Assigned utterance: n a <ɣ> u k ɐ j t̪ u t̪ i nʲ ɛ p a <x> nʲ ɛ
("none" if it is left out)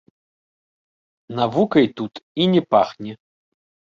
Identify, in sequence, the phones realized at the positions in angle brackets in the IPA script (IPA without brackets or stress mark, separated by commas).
v, x